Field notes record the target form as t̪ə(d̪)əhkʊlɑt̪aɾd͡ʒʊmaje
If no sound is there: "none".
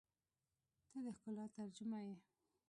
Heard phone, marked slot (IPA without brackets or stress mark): d̪